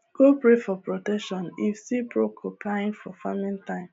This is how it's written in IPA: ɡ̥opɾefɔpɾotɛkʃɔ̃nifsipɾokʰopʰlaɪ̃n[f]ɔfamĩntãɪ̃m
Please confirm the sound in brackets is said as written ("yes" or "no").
yes